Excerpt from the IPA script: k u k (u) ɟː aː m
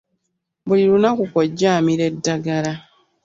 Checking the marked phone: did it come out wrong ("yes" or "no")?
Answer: yes